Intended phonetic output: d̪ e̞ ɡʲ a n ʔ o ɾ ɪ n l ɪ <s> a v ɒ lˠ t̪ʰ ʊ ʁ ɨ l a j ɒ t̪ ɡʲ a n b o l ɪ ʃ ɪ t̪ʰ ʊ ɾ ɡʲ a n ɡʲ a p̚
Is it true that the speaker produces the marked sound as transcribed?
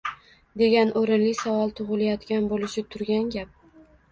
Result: yes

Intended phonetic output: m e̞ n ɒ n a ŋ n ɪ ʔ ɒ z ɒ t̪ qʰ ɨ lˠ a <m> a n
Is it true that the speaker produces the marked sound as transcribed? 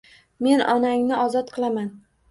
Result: yes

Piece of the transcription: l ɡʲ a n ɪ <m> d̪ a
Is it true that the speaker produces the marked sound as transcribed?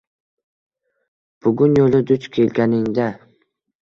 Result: no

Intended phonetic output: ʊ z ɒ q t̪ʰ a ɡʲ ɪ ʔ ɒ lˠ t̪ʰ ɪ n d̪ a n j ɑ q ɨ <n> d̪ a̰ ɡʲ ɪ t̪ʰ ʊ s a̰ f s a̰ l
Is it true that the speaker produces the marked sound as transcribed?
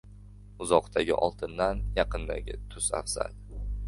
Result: yes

